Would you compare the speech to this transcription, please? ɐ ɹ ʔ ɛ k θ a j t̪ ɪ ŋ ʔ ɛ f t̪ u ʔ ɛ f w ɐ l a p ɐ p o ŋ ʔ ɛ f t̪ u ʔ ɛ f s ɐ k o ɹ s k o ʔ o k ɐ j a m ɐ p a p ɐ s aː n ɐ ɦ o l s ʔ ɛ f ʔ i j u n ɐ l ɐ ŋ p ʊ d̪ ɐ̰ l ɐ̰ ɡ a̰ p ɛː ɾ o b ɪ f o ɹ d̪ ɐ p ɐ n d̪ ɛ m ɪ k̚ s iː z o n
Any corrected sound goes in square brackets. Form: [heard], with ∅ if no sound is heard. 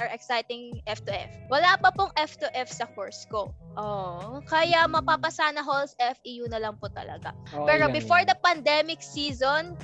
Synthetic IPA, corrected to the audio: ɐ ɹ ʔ ɛ k [s] a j t̪ ɪ ŋ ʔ ɛ f t̪ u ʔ ɛ f w ɐ l a p ɐ p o ŋ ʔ ɛ f t̪ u ʔ ɛ f s ɐ k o ɹ s k o ʔ o k ɐ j a m ɐ p a p ɐ s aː n ɐ ɦ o l s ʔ ɛ f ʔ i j u n ɐ l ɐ ŋ p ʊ [t̪] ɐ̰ l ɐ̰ ɡ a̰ p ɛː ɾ o b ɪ f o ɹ d̪ ɐ p ɐ n d̪ ɛ m ɪ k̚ s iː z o n